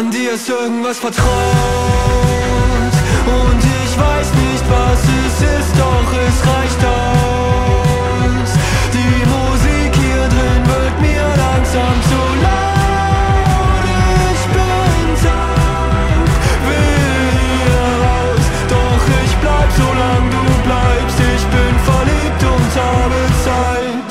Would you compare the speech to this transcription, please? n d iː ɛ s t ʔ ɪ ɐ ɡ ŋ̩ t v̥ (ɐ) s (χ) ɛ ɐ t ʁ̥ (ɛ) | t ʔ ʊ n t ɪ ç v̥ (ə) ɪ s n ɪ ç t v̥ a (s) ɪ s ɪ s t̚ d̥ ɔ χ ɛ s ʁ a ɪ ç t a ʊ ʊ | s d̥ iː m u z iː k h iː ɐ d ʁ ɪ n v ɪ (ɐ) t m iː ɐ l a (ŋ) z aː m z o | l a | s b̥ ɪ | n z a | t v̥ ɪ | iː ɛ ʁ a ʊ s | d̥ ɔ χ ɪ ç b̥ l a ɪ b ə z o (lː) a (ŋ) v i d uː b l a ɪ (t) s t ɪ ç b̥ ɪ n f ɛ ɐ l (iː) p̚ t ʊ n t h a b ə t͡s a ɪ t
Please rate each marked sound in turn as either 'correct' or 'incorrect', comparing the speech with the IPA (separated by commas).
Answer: incorrect, incorrect, incorrect, incorrect, correct, correct, correct, incorrect, correct, incorrect, correct